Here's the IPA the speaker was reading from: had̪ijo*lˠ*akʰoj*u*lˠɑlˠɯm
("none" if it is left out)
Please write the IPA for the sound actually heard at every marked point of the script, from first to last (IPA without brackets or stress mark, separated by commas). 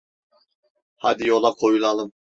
lˠ, u